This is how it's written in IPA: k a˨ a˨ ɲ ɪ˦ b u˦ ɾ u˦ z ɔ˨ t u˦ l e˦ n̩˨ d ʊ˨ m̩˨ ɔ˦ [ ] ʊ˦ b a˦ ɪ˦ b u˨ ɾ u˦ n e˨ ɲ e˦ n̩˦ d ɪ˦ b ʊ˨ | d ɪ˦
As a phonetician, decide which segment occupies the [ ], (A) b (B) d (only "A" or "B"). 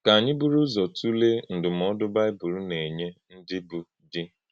B